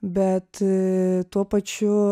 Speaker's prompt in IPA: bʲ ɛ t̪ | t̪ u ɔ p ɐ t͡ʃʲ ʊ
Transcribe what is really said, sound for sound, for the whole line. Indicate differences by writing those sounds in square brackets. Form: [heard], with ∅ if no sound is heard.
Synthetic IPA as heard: bʲ ɛ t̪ | t̪ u ɔ p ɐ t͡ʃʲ ʊ